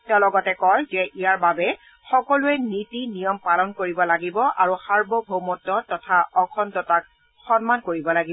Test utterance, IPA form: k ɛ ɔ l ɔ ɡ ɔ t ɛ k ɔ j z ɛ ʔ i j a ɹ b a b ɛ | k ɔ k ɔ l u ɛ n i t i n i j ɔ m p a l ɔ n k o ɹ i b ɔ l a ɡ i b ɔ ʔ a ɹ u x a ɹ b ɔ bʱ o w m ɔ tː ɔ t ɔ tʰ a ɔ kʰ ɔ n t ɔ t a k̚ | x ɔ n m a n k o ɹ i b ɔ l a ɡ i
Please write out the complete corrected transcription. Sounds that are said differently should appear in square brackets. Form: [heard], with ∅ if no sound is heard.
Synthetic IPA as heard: [t] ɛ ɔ l ɔ ɡ ɔ t ɛ k ɔ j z ɛ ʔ i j a ɹ b a b ɛ | [x] ɔ k ɔ l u ɛ n i t i n i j ɔ m p a l ɔ n k o ɹ i b ɔ l a ɡ i b ɔ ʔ a ɹ u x a ɹ b ɔ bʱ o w m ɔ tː ɔ t ɔ tʰ a ɔ kʰ ɔ n t ɔ t a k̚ | x ɔ n m a n k o ɹ i b ɔ l a ɡ i